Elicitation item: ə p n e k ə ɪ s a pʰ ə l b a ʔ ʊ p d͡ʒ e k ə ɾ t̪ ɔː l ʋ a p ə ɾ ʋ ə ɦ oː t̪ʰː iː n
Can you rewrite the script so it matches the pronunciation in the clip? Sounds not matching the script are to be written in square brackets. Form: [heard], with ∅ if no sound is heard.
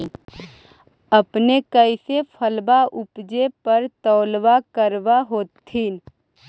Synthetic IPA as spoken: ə p n e k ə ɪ s [e] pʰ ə l b a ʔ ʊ p d͡ʒ e [p] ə ɾ t̪ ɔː l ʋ a [k] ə ɾ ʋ [a] ɦ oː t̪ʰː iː n